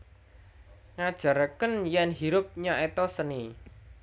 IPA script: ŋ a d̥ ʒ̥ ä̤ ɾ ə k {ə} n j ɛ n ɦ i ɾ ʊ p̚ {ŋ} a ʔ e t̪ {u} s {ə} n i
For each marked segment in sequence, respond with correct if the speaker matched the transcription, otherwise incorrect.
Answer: correct, incorrect, incorrect, correct

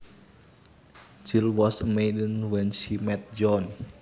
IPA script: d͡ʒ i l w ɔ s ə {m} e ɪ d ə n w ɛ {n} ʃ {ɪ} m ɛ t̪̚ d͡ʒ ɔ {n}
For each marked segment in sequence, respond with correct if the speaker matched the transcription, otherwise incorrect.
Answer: correct, correct, incorrect, correct

